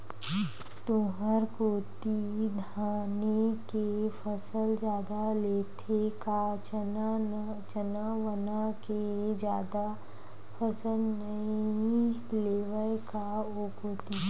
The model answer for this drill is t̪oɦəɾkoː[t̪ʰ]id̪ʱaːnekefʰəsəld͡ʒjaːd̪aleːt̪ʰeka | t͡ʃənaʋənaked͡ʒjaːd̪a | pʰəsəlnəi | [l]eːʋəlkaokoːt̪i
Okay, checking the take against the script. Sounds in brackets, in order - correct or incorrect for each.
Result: incorrect: t̪, correct

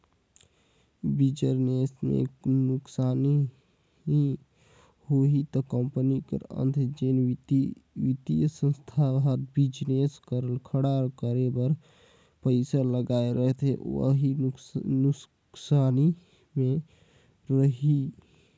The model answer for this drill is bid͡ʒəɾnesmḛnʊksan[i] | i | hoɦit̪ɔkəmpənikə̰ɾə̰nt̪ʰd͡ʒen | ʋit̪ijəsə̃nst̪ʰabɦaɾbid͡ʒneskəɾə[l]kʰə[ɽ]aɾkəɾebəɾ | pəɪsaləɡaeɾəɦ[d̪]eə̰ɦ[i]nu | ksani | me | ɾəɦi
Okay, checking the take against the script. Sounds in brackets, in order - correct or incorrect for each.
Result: correct, correct, correct, incorrect: t̪, correct

